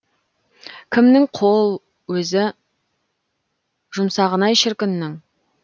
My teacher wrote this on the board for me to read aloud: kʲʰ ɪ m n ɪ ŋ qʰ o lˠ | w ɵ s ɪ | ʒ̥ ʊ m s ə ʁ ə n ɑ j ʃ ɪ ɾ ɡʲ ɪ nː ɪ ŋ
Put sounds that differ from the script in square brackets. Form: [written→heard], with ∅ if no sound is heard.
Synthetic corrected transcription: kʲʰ ɪ m n ɪ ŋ qʰ o lˠ | w ɵ [s→z] ɪ | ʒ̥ ʊ m s [ə→ɑ] ʁ ə n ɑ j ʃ ɪ ɾ [ɡʲ→kʲ] ɪ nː ɪ ŋ